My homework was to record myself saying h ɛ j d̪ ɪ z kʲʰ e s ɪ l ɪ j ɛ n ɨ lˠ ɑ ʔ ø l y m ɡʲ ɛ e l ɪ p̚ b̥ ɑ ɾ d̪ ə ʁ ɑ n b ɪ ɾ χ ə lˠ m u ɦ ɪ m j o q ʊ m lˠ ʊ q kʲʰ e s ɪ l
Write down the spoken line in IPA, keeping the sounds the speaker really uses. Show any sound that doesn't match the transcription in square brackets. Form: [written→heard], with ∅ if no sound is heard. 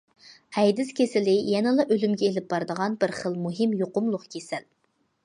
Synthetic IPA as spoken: h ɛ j d̪ ɪ [z→s] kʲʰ e s ɪ l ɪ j ɛ n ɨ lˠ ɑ ʔ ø l y m ɡʲ ɛ e l ɪ p̚ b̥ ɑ ɾ d̪ ə ʁ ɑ n b ɪ ɾ χ ə lˠ m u ɦ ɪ m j o q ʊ m lˠ ʊ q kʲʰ e s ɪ l

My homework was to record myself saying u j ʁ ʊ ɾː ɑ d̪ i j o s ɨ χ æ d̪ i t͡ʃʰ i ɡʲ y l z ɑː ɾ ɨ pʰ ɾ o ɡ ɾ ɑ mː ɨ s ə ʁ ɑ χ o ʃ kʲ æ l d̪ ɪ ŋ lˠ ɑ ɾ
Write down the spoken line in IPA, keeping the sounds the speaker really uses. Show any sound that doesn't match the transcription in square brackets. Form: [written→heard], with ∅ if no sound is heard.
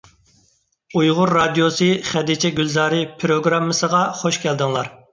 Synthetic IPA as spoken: u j ʁ ʊ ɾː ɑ d̪ i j o s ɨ χ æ d̪ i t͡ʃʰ [i→ɛ] ɡʲ y l z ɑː ɾ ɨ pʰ ɾ o ɡ ɾ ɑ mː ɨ s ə ʁ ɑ χ o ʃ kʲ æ l d̪ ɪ ŋ lˠ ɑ ɾ

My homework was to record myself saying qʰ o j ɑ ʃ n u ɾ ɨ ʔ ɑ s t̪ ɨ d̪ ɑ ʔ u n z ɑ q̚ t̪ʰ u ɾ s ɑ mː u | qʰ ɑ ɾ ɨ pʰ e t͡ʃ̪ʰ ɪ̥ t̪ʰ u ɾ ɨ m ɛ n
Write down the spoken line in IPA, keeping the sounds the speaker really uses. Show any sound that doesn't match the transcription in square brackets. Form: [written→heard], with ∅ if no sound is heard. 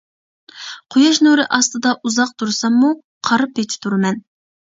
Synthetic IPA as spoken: qʰ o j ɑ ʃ n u ɾ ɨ ʔ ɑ s t̪ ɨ d̪ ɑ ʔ u [n→∅] z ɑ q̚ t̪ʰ u ɾ s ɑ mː u | qʰ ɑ ɾ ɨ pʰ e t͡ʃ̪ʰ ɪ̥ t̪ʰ u ɾ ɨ m ɛ n

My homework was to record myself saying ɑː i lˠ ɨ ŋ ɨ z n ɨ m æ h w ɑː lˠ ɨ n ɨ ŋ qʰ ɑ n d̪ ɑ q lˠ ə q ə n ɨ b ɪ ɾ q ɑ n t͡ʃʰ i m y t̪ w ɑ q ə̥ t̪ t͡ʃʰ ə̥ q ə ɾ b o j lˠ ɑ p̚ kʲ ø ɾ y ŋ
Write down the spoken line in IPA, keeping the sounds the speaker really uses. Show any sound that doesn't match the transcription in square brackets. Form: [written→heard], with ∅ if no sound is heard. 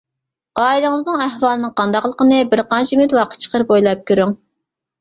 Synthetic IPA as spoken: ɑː i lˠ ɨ ŋ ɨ z n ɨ [m→ŋ] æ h w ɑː lˠ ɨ n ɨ ŋ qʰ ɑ n d̪ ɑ q lˠ ə q ə n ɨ b ɪ ɾ q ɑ n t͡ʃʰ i m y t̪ w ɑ q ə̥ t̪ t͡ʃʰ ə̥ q ə ɾ b o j lˠ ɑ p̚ kʲ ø ɾ y ŋ

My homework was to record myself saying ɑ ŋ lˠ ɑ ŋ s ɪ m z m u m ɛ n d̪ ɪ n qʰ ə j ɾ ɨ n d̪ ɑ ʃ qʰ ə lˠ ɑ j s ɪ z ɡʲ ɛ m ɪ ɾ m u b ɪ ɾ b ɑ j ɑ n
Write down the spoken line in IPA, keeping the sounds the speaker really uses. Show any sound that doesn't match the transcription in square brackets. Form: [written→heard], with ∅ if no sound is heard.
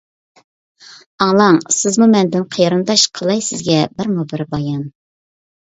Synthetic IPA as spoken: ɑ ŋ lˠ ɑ ŋ s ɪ [m→∅] z m u m ɛ n d̪ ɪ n qʰ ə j ɾ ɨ n d̪ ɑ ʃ qʰ ə lˠ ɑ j s ɪ z ɡʲ ɛ [m→b] ɪ ɾ m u b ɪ ɾ b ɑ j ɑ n

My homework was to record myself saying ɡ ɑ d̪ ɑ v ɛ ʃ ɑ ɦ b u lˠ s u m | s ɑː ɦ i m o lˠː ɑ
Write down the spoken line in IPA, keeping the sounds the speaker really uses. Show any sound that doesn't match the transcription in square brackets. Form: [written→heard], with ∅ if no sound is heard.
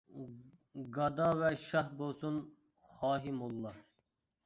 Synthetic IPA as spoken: ɡ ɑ d̪ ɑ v ɛ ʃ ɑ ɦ b [u→o] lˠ s u [m→n] | [s→χ] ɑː ɦ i m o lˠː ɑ

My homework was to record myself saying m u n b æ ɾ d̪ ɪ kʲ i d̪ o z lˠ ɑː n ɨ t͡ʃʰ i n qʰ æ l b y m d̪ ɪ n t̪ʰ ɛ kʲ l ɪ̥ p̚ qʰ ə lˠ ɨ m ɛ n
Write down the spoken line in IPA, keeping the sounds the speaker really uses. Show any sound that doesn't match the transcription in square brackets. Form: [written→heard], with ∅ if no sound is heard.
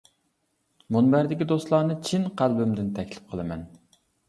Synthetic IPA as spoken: m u n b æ ɾ d̪ ɪ kʲ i d̪ o [z→s] lˠ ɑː n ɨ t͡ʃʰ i n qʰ æ l b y m d̪ ɪ n t̪ʰ ɛ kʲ l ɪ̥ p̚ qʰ ə lˠ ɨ m ɛ n

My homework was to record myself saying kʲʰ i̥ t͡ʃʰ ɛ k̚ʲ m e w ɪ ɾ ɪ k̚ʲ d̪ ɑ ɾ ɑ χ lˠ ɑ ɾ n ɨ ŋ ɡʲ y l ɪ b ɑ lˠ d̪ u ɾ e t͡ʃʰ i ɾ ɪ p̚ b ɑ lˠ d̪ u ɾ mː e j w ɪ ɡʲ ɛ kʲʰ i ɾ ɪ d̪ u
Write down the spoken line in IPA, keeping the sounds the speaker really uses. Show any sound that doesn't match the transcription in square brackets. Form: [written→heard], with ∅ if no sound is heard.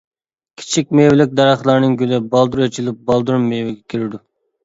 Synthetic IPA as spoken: kʲʰ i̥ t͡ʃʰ [ɛ→i] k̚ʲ m e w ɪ [ɾ→l] ɪ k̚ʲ d̪ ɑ ɾ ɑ χ lˠ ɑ ɾ n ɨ ŋ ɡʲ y l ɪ b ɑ lˠ d̪ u ɾ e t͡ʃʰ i [ɾ→l] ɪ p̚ b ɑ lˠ d̪ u ɾ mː e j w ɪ ɡʲ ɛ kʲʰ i ɾ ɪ d̪ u

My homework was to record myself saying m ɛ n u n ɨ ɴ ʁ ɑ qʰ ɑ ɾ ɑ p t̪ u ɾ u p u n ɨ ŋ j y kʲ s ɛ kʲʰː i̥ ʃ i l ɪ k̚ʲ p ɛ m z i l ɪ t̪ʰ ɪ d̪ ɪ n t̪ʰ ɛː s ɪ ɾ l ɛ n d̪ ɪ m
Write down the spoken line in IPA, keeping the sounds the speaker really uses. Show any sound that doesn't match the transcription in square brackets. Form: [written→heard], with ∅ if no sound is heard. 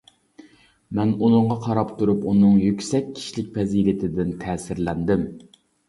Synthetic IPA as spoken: m ɛ n u n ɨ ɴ ʁ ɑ qʰ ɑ ɾ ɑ p t̪ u ɾ u p u n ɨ ŋ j y kʲ s ɛ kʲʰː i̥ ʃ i l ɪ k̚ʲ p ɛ [m→∅] z i l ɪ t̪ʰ ɪ d̪ ɪ n t̪ʰ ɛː s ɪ ɾ l ɛ n d̪ ɪ m

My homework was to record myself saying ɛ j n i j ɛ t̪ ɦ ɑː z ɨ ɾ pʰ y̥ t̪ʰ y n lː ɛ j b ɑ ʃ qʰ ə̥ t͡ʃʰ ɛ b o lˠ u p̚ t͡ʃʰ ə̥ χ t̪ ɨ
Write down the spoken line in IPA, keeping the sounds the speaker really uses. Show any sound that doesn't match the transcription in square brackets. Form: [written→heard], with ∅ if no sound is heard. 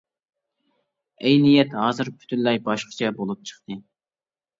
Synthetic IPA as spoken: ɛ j n i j ɛ t̪ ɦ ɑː z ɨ ɾ pʰ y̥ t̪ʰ y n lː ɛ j b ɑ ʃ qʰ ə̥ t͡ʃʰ ɛ b o lˠ u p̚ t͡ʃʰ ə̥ χ t̪ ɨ

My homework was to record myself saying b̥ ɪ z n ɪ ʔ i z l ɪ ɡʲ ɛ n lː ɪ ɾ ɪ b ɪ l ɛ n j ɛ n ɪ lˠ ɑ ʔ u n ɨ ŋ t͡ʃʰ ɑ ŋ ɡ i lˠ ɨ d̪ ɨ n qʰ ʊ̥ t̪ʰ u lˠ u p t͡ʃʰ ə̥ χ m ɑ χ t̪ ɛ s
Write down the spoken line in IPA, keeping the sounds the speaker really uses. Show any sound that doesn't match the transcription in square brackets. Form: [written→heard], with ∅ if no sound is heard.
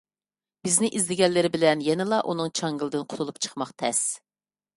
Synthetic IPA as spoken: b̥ ɪ z n ɪ ʔ i z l ɪ ɡʲ ɛ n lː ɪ ɾ ɪ b ɪ l ɛ n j ɛ n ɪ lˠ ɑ ʔ u n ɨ ŋ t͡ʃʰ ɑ ŋ ɡ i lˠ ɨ d̪ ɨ n qʰ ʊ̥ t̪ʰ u lˠ u p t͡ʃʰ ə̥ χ m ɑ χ [t̪→t̪ʰ] ɛ s

